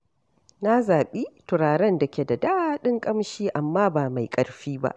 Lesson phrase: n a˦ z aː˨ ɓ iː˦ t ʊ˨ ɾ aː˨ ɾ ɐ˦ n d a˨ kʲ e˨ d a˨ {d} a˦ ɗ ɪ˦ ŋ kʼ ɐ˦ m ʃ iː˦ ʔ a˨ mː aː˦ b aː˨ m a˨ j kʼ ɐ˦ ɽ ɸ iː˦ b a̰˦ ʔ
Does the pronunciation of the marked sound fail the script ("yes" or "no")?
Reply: no